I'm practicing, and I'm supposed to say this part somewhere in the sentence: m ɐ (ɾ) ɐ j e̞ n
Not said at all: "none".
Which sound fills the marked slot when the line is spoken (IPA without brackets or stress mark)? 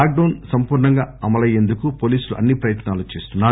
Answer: l